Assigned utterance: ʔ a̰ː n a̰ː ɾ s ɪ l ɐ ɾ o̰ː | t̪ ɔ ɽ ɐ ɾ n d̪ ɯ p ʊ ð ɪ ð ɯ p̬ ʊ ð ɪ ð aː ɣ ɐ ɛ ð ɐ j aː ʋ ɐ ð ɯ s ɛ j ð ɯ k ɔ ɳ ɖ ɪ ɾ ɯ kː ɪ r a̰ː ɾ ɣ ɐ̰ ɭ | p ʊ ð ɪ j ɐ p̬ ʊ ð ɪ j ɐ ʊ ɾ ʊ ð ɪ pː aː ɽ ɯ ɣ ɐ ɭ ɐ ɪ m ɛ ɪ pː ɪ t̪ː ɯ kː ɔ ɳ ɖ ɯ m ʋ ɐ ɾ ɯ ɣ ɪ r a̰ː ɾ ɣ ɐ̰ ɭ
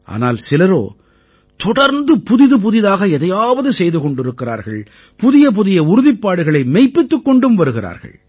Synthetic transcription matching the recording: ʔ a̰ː n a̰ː l s ɪ l ɐ ɾ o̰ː | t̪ ɔ ɽ ɐ ɾ n d̪ ɯ p ʊ ð ɪ ð ɯ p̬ ʊ ð ɪ ð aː ɣ ɐ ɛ ð ɐ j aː ʋ ɐ ð ɯ s ɛ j ð ɯ k ɔ ɳ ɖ ɪ ɾ ɯ kː ɪ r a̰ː ɾ ɣ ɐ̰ ɭ | p ʊ ð ɪ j ɐ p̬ ʊ ð ɪ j ɐ ʊ ɾ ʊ ð ɪ pː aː ɽ ɯ ɣ ɐ ɭ ɐ ɪ m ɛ ɪ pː ɪ t̪ː ɯ kː ɔ ɳ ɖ ɯ m ʋ ɐ ɾ ɯ ɣ ɪ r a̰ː ɾ ɣ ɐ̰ ɭ